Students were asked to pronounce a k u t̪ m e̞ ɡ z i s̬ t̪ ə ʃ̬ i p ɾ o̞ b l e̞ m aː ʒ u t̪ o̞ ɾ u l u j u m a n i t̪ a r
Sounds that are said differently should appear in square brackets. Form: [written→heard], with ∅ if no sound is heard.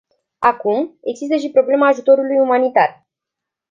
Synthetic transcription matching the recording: a k u [t̪→∅] m e̞ ɡ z i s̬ t̪ ə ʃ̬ i p ɾ o̞ b l e̞ m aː ʒ u t̪ o̞ ɾ u l u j u m a n i t̪ a r